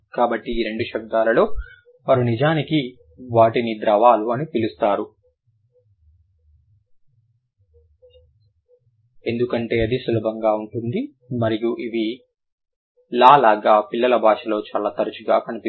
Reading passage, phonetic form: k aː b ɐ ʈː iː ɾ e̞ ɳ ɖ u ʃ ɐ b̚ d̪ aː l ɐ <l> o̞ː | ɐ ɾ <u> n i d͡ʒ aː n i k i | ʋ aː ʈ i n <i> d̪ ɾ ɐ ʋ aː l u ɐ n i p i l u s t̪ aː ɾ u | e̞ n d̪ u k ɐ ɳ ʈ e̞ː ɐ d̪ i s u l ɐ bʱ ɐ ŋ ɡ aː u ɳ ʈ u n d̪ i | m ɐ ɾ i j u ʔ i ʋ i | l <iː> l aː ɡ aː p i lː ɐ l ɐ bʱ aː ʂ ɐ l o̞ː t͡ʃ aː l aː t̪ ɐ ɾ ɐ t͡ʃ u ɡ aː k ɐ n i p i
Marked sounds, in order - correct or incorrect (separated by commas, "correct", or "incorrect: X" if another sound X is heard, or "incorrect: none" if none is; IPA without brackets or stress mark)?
correct, correct, correct, incorrect: aː